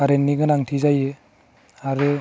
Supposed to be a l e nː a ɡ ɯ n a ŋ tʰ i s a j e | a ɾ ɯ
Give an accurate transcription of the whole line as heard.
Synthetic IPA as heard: a ɾ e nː i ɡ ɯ n a ŋ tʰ i z a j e | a ɾ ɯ